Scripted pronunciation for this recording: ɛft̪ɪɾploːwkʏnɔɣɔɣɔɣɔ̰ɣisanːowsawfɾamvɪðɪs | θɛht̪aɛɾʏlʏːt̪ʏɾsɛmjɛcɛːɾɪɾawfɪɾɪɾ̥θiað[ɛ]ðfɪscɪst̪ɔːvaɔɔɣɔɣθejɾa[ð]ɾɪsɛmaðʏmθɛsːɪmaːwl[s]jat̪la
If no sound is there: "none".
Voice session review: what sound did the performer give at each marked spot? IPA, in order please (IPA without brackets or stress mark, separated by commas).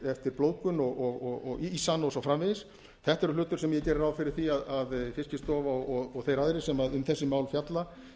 a, ð, f